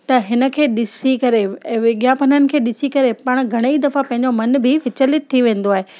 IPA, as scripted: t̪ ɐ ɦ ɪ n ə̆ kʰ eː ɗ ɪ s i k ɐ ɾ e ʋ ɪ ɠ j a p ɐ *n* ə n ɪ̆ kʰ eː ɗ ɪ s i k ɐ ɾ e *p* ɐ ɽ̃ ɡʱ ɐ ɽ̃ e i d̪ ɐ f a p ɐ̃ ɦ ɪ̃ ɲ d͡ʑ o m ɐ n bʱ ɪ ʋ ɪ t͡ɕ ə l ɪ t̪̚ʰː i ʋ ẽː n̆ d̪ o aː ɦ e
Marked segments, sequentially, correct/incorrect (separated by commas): correct, correct